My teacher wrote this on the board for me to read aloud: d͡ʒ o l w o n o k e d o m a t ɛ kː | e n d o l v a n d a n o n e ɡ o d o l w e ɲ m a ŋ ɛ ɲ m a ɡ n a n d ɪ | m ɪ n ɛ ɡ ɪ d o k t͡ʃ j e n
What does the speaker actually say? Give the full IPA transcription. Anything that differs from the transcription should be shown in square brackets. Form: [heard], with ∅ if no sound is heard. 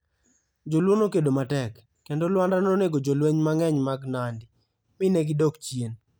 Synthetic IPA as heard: d͡ʒ o l w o n o k e d o m a t ɛ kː | e n d o l [w] a n d a n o n e ɡ o [d͡ʒ] o l w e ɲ m a ŋ ɛ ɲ m a ɡ n a n d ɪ | m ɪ n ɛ ɡ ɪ d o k t͡ʃ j e n